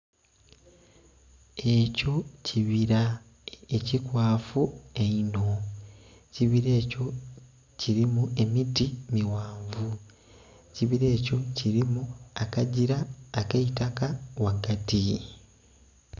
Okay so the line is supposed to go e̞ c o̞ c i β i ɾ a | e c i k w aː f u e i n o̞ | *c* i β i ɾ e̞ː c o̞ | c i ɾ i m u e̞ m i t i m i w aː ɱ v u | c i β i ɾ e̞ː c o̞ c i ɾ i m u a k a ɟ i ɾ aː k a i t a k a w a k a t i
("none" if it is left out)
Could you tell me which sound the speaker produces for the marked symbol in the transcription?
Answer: c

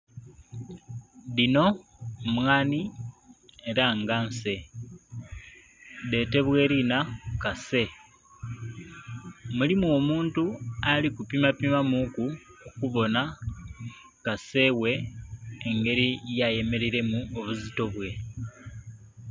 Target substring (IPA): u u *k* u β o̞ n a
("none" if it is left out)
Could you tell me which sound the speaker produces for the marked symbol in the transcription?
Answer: k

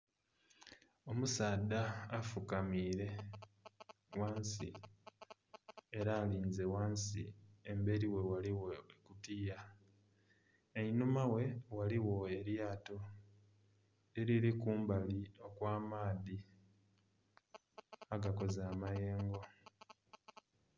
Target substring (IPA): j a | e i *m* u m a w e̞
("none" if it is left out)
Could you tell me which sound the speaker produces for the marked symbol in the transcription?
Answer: n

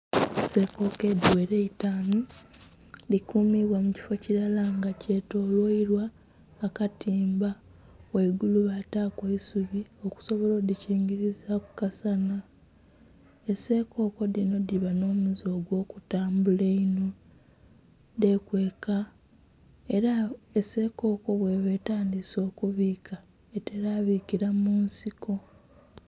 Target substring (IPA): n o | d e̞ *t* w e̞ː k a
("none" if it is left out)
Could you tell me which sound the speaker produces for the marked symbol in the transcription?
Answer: k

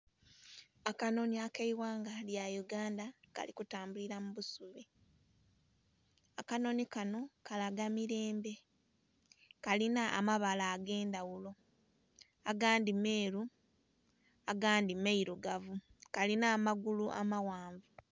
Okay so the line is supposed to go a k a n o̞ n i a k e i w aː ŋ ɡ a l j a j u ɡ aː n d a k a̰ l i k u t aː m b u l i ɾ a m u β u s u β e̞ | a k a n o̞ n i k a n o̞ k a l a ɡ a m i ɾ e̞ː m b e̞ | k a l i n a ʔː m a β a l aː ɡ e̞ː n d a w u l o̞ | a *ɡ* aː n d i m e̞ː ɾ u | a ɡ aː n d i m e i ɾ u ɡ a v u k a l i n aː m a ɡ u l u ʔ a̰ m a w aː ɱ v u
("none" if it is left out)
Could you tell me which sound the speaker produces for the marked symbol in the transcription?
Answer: ɡ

